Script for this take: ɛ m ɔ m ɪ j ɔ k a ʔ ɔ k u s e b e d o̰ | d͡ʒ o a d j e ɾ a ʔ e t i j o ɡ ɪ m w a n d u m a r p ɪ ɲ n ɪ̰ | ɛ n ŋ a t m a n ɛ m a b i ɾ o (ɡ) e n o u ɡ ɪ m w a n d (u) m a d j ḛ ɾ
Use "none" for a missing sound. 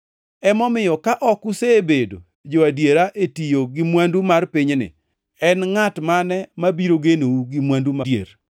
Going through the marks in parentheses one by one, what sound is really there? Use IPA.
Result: ɡ, u

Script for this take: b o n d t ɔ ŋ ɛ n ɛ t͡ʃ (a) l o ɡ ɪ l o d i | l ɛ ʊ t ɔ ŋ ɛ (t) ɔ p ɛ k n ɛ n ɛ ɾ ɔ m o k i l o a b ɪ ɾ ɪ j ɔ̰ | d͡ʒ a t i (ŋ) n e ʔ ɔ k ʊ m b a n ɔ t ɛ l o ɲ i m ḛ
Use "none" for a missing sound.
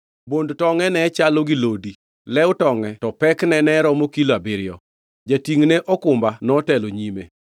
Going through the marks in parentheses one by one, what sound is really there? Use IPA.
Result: a, t, ŋ

